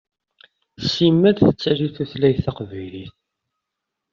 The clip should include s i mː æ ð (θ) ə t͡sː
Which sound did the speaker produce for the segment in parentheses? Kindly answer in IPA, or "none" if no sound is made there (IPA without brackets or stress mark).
θ